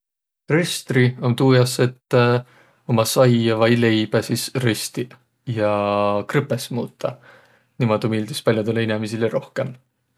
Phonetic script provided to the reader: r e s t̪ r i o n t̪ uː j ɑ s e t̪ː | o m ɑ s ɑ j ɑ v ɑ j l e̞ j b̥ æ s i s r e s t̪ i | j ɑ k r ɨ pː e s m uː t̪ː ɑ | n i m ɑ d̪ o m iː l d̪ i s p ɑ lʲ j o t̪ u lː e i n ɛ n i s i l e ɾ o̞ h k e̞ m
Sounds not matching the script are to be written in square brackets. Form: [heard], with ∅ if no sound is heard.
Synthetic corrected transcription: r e s t̪ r i o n t̪ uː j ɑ s e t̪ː | o m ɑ s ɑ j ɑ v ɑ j l e̞ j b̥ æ s i s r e s t̪ i | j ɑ k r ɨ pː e s m uː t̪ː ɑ | n i m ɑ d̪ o m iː l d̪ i s p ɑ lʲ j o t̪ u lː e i n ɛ [m] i s i l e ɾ o̞ h k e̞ m